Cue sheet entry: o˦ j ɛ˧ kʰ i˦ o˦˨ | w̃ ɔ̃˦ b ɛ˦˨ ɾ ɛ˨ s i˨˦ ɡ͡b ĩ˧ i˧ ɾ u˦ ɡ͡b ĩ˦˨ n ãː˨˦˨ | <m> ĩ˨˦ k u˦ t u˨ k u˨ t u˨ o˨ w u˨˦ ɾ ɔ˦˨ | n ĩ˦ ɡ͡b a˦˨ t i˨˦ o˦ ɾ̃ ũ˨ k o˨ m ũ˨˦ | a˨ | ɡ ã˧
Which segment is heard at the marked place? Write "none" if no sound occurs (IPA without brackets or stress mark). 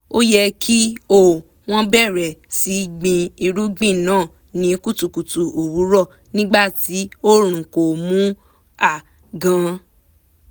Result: n